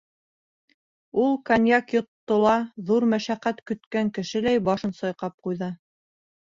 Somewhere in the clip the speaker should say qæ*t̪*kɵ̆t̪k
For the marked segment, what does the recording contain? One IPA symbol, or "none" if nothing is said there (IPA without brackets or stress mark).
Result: t̪